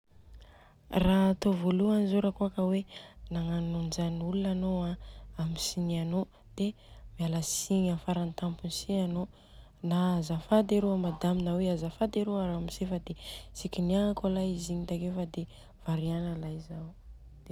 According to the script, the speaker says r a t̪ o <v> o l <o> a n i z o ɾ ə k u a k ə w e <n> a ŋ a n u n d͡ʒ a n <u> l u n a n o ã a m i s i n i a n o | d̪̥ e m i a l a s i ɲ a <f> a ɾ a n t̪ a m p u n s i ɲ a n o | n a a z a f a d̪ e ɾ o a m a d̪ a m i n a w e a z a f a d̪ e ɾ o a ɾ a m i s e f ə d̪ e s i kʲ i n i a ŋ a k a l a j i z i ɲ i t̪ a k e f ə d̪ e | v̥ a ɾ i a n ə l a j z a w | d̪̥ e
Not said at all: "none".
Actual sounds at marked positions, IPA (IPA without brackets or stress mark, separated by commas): v, u, n, u, f